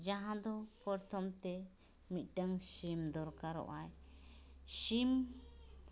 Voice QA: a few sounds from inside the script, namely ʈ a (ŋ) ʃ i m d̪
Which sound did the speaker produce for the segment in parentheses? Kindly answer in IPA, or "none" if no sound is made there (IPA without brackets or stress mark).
ŋ